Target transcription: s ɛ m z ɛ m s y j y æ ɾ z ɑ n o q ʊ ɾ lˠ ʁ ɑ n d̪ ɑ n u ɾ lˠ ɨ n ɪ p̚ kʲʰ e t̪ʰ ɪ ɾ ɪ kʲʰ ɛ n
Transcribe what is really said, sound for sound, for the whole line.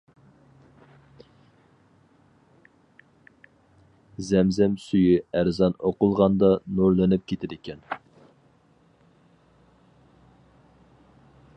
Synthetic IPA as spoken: z ɛ m z ɛ m s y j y æ ɾ z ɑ n o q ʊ lˠ ʁ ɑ n d̪ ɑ n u ɾ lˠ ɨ n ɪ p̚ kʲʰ e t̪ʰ ɪ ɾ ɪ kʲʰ ɛ n

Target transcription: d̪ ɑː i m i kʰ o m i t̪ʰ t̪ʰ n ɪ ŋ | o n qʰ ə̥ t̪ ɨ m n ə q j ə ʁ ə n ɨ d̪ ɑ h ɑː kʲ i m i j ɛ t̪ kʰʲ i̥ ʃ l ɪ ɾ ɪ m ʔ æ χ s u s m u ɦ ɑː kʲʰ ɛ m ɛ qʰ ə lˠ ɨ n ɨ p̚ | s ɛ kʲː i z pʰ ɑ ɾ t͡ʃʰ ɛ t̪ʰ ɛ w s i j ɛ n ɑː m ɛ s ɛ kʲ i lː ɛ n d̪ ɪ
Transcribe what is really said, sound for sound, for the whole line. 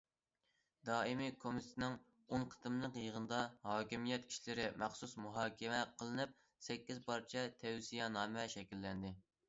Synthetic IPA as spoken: d̪ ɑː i m i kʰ o m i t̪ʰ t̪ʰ n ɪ ŋ | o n qʰ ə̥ t̪ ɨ m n ə q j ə ʁ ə n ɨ d̪ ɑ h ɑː kʲ i m i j ɛ t̪ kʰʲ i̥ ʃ l ɪ ɾ ɪ m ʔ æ χ s u s m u ɦ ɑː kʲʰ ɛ m ɛ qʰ ə lˠ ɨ n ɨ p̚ | s ɛ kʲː i z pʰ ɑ ɾ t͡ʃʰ ɛ t̪ʰ ɛ w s i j ɛ n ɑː m ɛ ʃ ɛ kʲ i lː ɛ n d̪ ɪ

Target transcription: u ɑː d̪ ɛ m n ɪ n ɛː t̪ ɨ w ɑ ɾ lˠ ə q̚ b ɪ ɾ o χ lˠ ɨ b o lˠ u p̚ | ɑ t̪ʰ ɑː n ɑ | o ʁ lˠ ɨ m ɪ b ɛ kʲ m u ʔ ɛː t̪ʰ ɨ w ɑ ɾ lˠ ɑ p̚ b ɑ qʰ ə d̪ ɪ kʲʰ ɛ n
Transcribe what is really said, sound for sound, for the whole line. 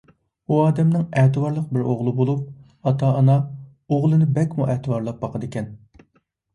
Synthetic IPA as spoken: u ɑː d̪ ɛ m n ɪ ŋ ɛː t̪ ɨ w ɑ ɾ lˠ ə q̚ b ɪ ɾ o ʁ lˠ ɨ b o lˠ u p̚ | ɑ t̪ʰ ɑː n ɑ | o ʁ lˠ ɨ n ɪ b ɛ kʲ m u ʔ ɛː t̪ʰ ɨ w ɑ ɾ lˠ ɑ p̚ b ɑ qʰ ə d̪ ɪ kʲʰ ɛ n

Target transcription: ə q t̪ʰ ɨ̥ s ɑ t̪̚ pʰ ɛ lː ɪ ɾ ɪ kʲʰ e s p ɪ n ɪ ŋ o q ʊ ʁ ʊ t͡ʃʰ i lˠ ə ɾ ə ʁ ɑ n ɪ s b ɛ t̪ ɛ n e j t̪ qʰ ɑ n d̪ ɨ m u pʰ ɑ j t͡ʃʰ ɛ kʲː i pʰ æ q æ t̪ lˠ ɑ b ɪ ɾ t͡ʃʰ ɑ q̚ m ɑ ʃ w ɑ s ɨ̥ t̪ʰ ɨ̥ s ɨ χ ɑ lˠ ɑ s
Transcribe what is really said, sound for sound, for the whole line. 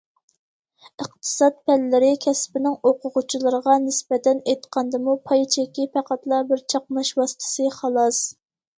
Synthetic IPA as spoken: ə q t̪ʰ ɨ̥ s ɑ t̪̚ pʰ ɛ lː ɪ ɾ ɪ kʲʰ ɛ s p ɪ n ɪ ŋ o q ʊ ʁ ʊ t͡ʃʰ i lˠ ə ɾ ə ʁ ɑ n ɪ s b ɛ t̪ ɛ n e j t̪ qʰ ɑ n d̪ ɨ m u pʰ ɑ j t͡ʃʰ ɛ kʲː i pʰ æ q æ t̪ lˠ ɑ b ɪ ɾ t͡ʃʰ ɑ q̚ m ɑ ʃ w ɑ s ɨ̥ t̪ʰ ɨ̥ s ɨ χ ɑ lˠ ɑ s

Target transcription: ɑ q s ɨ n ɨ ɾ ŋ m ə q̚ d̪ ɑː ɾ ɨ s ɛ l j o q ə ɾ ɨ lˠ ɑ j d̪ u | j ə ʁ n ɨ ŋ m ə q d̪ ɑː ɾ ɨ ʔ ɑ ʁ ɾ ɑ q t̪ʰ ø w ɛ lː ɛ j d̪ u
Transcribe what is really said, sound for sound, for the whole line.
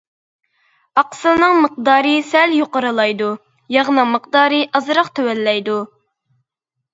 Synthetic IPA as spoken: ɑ q s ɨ n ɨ ŋ m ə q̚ d̪ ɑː ɾ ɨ s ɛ l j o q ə ɾ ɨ lˠ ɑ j d̪ u | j ɑ ʁ n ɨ ŋ m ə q d̪ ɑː ɾ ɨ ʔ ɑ z ɾ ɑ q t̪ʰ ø w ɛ lː ɛ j d̪ u

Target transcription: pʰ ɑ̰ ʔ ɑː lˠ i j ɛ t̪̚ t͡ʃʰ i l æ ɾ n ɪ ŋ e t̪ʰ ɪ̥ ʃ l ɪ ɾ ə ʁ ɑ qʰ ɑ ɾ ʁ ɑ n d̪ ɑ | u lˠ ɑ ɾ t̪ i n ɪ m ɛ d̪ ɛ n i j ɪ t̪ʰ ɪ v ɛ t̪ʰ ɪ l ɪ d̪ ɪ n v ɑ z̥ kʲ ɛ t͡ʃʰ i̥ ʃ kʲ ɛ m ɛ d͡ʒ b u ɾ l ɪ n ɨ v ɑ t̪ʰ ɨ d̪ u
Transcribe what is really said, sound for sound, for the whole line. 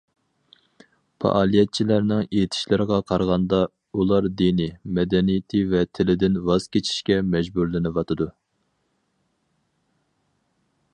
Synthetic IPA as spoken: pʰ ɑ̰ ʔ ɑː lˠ i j ɛ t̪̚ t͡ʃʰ i l æ ɾ n ɪ ŋ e t̪ʰ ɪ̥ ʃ l ɪ ɾ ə ʁ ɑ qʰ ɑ ɾ ʁ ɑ n d̪ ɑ | u lˠ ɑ ɾ d̪ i n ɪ m ɛ d̪ ɛ n i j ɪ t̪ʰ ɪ v ɛ t̪ʰ ɪ l ɪ d̪ ɪ n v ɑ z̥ kʲ e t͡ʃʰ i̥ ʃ kʲ ɛ m ɛ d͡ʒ b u ɾ l ɪ n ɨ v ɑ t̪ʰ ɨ d̪ u

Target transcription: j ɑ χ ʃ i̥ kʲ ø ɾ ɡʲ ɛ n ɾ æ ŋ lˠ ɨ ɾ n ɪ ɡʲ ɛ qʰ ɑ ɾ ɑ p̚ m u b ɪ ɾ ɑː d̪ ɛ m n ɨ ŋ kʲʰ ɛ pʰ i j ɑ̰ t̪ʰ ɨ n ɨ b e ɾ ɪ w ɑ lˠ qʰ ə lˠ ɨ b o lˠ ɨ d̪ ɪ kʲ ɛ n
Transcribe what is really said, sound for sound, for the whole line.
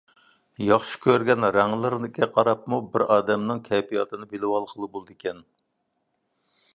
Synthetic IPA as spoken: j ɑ χ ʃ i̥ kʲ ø ɾ ɡʲ ɛ n ɾ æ ŋ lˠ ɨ ɾ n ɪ kʲ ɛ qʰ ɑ ɾ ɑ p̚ m u b ɪ ɾ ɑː d̪ ɛ m n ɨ ŋ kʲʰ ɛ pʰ i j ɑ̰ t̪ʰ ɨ n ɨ b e l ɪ w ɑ lˠ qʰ ə lˠ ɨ b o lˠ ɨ d̪ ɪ kʲ ɛ n

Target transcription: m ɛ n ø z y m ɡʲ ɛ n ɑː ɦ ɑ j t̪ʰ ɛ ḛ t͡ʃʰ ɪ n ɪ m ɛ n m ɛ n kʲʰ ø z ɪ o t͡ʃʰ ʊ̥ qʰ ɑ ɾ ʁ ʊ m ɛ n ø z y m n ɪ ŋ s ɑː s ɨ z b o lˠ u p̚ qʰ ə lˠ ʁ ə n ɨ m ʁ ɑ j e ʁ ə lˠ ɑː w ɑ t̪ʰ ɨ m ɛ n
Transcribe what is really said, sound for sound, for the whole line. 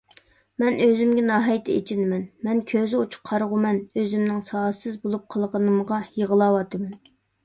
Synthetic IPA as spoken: m ɛ n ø z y m ɡʲ ɛ n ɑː ɦ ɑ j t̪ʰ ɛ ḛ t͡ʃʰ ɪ n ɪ m ɛ n m ɛ n kʲʰ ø z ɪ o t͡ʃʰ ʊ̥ qʰ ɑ ɾ ʁ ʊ m ɛ n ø z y m n ɪ ŋ s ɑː s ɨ z b o lˠ u p̚ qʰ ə lˠ ʁ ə n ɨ m ʁ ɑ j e ʁ ə lˠ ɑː w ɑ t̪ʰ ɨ m ɛ n

